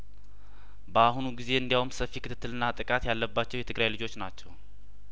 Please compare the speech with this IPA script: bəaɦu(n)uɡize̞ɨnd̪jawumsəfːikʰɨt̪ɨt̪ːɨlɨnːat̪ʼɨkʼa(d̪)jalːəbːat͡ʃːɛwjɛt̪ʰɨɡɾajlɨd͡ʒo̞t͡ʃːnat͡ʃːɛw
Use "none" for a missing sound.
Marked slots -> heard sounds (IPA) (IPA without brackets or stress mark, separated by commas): n, t̪